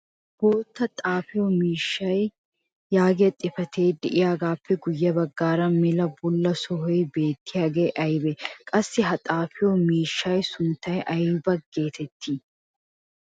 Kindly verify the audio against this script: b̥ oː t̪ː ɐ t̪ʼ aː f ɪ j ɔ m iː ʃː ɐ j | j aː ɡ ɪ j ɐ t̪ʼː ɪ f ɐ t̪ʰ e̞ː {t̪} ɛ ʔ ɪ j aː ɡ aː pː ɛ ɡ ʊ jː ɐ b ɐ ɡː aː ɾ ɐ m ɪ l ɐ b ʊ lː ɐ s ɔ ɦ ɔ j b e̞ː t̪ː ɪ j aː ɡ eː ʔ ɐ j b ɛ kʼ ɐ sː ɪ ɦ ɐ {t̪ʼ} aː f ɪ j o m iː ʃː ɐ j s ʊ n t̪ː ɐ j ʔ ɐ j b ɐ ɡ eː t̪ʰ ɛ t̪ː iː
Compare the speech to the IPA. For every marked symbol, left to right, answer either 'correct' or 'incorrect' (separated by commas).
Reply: incorrect, correct